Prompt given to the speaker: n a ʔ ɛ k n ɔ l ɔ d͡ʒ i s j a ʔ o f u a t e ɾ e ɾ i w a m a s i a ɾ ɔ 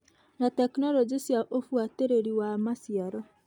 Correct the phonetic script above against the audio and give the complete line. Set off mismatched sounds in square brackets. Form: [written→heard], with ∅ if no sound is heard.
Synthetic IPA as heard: n a [ʔ→t] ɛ k n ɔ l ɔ d͡ʒ i s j a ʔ o f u a t e ɾ e ɾ i w a m a s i a ɾ ɔ